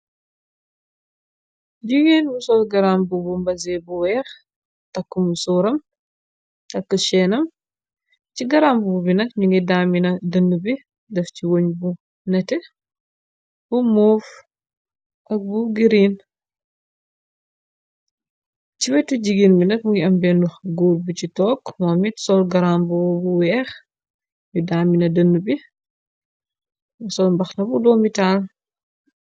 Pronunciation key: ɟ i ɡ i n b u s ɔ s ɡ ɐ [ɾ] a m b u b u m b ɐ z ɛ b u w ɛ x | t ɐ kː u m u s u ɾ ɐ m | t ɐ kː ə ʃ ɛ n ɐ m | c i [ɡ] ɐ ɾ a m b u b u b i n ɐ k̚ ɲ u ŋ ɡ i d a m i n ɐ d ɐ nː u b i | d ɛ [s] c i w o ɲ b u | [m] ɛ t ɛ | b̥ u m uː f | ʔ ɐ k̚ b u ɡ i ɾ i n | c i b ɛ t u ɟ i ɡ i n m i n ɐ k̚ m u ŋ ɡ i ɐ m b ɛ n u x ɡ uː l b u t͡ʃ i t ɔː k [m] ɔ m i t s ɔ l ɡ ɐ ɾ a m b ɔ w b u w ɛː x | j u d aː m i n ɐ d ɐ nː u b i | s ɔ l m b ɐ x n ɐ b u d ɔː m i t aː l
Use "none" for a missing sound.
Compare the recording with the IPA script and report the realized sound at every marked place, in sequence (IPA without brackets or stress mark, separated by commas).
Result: ɾ, ɡ, f, n, m